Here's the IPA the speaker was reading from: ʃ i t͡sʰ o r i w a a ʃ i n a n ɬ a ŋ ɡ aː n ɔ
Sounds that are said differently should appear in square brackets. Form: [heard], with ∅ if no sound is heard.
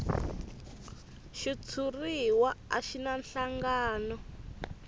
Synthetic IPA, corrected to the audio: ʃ i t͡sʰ [u] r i w a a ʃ i n a n ɬ a ŋ ɡ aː n ɔ